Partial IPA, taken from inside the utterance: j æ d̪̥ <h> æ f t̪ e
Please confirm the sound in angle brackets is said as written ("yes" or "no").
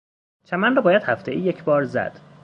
yes